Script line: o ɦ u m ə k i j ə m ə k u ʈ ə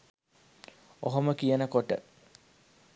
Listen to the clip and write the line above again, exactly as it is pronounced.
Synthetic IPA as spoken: o ɦ o m ə k i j ə n ə k o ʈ ə